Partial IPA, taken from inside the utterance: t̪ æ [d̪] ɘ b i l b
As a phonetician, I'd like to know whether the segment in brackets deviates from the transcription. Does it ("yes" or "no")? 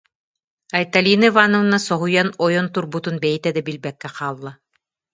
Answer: no